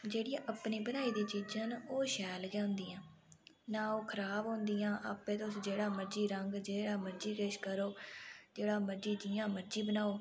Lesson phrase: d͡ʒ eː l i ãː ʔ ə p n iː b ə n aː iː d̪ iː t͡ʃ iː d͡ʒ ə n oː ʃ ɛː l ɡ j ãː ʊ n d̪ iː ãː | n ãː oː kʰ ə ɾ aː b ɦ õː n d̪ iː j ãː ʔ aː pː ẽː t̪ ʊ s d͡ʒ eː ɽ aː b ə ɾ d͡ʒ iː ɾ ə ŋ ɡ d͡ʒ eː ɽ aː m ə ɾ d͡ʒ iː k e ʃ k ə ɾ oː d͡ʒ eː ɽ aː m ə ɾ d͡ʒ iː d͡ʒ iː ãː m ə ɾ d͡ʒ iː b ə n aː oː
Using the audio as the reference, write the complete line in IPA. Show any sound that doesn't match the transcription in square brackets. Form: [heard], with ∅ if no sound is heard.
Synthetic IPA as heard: d͡ʒ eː [ɽ] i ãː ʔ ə p n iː b ə n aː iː d̪ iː t͡ʃ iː d͡ʒ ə n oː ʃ ɛː l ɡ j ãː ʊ n d̪ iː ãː | n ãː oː kʰ ə ɾ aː b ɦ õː n d̪ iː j ãː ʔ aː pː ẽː t̪ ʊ s d͡ʒ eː ɽ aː [m] ə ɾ d͡ʒ iː ɾ ə ŋ ɡ d͡ʒ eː ɽ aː m ə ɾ d͡ʒ iː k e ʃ k ə ɾ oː d͡ʒ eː ɽ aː m ə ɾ d͡ʒ iː d͡ʒ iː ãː m ə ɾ d͡ʒ iː b ə n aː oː

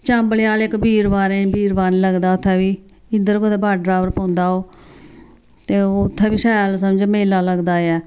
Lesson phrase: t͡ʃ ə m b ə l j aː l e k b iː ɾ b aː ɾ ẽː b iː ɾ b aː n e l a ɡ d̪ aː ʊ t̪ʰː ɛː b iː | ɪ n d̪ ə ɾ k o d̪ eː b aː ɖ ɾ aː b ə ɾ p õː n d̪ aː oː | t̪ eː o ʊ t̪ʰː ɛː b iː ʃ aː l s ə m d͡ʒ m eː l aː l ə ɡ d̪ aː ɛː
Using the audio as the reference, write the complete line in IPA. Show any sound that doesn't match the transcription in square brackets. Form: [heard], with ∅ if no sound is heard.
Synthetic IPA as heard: t͡ʃ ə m b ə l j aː l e k b iː ɾ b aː ɾ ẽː b iː ɾ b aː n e l [ə] ɡ d̪ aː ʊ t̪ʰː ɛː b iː | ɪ n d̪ ə ɾ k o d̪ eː b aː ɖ ɾ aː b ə ɾ p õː n d̪ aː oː | t̪ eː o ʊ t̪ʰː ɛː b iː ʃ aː l s ə m d͡ʒ m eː l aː l ə ɡ d̪ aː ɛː

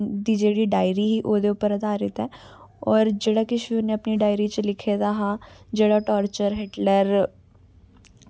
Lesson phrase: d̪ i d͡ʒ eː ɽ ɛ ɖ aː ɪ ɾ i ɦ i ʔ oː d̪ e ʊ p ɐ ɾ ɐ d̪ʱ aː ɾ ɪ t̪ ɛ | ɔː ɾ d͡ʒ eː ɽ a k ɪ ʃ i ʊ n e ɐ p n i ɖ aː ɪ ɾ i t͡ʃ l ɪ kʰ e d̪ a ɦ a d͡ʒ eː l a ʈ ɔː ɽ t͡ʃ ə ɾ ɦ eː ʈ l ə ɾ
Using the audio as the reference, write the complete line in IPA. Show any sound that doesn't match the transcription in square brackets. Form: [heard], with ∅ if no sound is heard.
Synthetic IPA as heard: d̪ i d͡ʒ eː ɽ [i] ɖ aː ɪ ɾ i ɦ i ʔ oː d̪ e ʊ p [ə] ɾ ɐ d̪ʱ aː ɾ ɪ t̪ ɛ | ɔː ɾ d͡ʒ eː ɽ a k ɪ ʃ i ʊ n e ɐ p n i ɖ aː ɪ ɾ i t͡ʃ l ɪ kʰ e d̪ a ɦ a d͡ʒ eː [ɽ] a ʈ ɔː [ɾ] t͡ʃ ə ɾ ɦ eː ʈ l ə ɾ

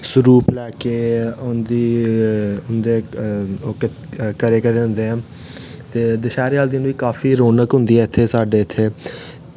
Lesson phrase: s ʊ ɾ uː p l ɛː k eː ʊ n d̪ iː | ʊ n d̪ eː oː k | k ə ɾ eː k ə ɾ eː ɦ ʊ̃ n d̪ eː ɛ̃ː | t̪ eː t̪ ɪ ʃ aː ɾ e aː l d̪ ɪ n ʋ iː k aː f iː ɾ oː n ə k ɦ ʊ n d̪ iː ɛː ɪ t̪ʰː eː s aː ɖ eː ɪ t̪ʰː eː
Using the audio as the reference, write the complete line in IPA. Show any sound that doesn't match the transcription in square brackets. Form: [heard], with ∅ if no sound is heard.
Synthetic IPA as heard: s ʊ ɾ uː p l ɛː k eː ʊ n d̪ iː | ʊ n d̪ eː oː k | k ə ɾ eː k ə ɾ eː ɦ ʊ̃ n d̪ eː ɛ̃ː | t̪ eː [d̪] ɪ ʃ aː ɾ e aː l d̪ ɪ n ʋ iː k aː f iː ɾ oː n ə k ɦ ʊ n d̪ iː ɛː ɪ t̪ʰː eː s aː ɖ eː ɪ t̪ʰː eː

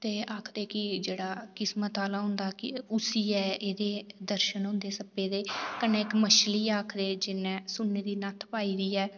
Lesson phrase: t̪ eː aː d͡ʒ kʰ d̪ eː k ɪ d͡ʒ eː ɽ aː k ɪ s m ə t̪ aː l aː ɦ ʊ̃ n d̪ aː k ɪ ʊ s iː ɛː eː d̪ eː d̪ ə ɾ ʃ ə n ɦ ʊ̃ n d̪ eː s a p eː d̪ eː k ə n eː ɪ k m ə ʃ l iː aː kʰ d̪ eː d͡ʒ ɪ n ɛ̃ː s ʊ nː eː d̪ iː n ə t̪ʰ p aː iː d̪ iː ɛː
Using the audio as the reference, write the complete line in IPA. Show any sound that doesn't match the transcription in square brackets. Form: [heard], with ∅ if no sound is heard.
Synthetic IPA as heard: t̪ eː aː [∅] kʰ d̪ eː k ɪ d͡ʒ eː ɽ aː k ɪ s m ə t̪ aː l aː ɦ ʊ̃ n d̪ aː k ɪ ʊ s iː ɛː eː d̪ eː d̪ ə ɾ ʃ ə n ɦ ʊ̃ n d̪ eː s [ə] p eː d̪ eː k ə n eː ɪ k m ə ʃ l iː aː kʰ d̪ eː d͡ʒ ɪ n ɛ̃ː s ʊ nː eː d̪ iː n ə t̪ʰ p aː iː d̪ iː ɛː

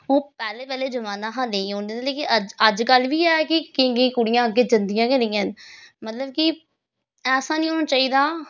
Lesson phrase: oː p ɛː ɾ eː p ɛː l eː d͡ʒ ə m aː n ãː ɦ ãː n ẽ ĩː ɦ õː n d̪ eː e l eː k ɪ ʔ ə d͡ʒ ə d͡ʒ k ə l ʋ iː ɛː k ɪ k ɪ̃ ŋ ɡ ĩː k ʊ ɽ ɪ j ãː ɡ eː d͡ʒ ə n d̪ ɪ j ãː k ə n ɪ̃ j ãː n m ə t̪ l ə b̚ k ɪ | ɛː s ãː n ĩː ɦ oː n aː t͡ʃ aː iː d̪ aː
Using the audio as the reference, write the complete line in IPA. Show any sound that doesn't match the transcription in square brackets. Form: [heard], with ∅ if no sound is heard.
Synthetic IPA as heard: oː p ɛː [l] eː p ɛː l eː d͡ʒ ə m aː n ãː ɦ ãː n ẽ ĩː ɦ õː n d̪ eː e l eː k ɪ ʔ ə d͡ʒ ə d͡ʒ k ə l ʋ iː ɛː k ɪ k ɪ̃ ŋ ɡ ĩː k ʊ ɽ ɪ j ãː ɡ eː d͡ʒ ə n d̪ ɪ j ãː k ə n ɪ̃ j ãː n m ə t̪ l ə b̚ k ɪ | ɛː s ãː n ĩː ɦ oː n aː t͡ʃ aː iː d̪ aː

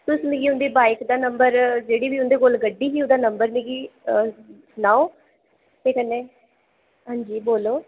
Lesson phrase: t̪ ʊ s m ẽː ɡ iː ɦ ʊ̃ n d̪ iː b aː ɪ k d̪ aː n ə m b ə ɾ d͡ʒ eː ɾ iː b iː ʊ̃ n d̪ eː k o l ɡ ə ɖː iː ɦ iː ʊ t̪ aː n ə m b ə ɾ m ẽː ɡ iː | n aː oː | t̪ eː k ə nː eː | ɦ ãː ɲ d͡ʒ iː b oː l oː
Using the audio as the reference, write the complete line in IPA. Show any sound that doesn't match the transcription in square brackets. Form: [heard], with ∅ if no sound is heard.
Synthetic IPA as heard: t̪ ʊ s m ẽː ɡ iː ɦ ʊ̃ n d̪ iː b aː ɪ k d̪ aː n ə m b ə ɾ d͡ʒ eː [ɽ] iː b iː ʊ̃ n d̪ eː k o l ɡ ə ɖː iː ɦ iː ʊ [d̪] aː n ə m b ə ɾ m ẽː ɡ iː | n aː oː | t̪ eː k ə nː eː | ɦ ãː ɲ d͡ʒ iː b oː l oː

